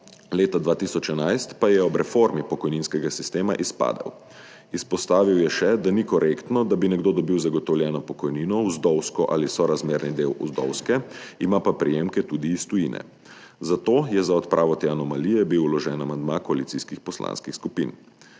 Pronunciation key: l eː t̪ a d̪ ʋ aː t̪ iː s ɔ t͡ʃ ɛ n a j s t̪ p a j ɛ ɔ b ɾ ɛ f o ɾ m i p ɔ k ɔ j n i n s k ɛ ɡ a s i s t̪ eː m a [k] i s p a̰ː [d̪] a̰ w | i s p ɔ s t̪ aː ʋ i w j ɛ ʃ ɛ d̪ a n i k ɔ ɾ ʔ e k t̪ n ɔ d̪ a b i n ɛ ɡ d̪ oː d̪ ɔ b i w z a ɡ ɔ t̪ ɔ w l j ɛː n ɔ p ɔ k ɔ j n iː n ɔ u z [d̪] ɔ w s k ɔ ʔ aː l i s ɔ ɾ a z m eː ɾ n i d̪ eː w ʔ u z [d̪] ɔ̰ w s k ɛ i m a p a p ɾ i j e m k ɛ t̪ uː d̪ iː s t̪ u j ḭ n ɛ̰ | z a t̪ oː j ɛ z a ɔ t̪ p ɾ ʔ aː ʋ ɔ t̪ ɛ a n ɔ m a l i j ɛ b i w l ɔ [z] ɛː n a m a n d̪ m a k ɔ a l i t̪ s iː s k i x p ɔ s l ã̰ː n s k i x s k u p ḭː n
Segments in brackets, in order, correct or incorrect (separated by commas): incorrect, correct, correct, correct, incorrect